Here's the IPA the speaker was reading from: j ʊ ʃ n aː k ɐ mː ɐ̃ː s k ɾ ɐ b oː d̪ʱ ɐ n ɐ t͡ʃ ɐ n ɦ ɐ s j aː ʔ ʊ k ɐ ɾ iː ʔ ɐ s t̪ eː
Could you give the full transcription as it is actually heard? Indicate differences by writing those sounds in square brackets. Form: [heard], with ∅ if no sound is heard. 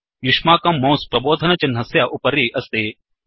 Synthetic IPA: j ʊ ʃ [m] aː k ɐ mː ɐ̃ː s [p] ɾ ɐ b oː d̪ʱ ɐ n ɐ t͡ʃ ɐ n ɦ ɐ s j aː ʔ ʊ [p] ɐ ɾ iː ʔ ɐ s t̪ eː